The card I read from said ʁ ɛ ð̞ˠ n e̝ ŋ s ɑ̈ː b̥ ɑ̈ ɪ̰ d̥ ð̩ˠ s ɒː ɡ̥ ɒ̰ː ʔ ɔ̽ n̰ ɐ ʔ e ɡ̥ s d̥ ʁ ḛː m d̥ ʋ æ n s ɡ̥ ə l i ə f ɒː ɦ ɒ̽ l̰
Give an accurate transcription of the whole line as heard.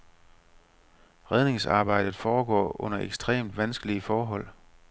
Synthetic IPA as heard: ʁ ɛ ð̞ˠ n e̝ ŋ s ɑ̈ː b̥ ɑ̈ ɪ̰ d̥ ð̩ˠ f ɒː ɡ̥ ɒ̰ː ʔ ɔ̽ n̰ ɐ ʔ e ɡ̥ s d̥ ʁ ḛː m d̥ ʋ æ n s ɡ̥ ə l i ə f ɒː ɦ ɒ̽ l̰

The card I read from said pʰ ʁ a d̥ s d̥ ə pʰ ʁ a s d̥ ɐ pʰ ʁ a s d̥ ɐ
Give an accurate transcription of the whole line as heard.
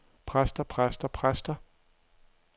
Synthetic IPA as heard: pʰ ʁ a s d̥ ɐ pʰ ʁ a s d̥ ɐ pʰ ʁ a s d̥ ɐ

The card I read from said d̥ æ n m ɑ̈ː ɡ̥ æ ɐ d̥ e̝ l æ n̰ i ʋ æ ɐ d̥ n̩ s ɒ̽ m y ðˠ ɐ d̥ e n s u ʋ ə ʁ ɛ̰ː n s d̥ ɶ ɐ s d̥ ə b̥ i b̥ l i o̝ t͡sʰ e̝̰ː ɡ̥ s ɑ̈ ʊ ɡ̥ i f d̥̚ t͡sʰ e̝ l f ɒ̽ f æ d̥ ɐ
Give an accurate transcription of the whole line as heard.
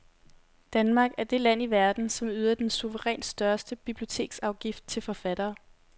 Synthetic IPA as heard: d̥ æ n m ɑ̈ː ɡ̥ æ ɐ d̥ e̝ l æ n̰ i ʋ æ ɐ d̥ n̩ s ɒ̽ m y ðˠ ɐ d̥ e n s u ʋ ə ʁ ɛ̰ː n s d̥ ɶ ɐ s d̥ ə b̥ i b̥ l i o̝ t͡sʰ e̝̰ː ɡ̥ s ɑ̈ ʊ ɡ̥ i f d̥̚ t͡sʰ e̝ l f ɒ̽ f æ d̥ ɐː

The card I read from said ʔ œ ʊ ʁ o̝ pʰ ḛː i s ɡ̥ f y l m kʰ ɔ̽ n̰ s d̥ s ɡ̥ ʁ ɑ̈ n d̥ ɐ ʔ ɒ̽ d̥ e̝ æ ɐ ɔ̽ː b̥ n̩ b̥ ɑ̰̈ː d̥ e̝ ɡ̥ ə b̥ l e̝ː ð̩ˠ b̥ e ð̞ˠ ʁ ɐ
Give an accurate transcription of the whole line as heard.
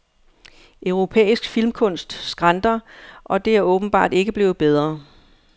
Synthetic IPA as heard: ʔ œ ʊ ʁ o̝ pʰ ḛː i s ɡ̥ f i l m kʰ ɔ̽ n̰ s d̥ s ɡ̥ ʁ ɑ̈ n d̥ ɐ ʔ ɒ̽ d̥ e̝ æ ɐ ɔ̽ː b̥ n̩ b̥ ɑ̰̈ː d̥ e̝ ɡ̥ ə b̥ l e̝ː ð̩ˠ b̥ e ð̞ˠ ʁ ɐ

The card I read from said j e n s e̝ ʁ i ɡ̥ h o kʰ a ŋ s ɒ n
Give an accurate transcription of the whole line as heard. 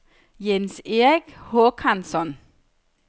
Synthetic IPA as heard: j e n s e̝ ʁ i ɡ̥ h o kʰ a n s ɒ n

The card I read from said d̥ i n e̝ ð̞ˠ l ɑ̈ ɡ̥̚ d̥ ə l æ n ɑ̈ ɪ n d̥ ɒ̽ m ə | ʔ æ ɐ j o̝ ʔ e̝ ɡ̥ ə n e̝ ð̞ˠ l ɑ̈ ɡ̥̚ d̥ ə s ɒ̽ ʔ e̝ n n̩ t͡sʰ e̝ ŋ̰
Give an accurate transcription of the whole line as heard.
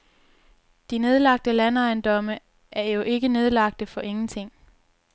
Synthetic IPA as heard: d̥ i n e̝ ð̞ˠ l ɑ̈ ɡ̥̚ d̥ ə l æ n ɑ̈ ɪ n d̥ ɒ̽ m ə | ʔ æ ɐ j o̝ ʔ e̝ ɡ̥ ə n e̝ ð̞ˠ l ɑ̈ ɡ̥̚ d̥ ə f ɒ̽ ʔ e̝ ŋ n̩ t͡sʰ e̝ ŋ̰

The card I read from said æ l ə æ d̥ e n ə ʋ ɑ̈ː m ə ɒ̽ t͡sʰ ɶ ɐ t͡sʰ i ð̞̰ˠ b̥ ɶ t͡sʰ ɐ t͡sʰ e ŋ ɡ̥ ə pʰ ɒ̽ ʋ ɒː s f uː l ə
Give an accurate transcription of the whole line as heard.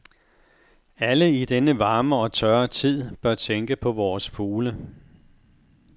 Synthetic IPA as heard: æ l ə i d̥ e n ə ʋ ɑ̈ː m ə ɒ̽ t͡sʰ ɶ ɐ t͡sʰ i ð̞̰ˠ b̥ ɶ ɐ t͡sʰ e ŋ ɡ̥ ə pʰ ɒ̽ ʋ ɒː s f uː l ə

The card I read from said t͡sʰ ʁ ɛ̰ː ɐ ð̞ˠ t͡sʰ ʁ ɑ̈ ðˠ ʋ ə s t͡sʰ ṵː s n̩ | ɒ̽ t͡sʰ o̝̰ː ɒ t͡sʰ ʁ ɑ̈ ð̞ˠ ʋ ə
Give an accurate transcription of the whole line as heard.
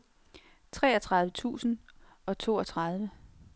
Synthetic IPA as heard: t͡sʰ ʁ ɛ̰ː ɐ t͡sʰ ʁ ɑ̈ ðˠ ʋ ə t͡sʰ ṵː s n̩ | ɒ̽ t͡sʰ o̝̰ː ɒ t͡sʰ ʁ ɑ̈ ð̞ˠ ʋ ə

